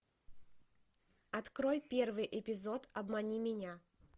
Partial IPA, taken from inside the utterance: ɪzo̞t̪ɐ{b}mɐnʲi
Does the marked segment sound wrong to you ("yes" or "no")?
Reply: no